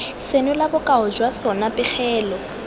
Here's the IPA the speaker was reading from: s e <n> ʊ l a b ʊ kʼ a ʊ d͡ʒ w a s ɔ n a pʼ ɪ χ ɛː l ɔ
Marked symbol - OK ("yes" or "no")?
yes